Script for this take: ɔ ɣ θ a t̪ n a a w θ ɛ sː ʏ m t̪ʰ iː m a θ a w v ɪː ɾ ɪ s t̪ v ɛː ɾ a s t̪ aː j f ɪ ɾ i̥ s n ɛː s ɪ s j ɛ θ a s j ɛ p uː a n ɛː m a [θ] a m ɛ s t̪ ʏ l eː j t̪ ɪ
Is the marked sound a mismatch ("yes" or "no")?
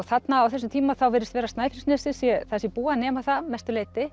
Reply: no